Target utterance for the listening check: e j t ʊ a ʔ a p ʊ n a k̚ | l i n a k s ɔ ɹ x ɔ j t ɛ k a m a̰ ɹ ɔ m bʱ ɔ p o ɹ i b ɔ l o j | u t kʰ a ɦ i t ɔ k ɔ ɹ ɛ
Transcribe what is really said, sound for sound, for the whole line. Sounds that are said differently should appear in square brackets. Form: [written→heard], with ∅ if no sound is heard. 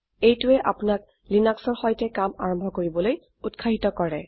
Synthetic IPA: e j t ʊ [a→ɛ] ʔ a p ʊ n a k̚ | l i n a k s ɔ ɹ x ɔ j t ɛ k a m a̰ ɹ ɔ m bʱ ɔ [p→k] o ɹ i b ɔ l o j | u t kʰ a ɦ i t ɔ k ɔ ɹ ɛ